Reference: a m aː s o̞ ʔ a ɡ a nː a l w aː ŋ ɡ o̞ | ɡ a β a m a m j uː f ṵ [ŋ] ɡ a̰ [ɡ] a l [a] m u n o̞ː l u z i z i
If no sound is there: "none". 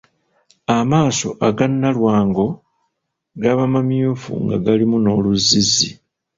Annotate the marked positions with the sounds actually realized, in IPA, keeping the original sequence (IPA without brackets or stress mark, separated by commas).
ŋ, ɡ, i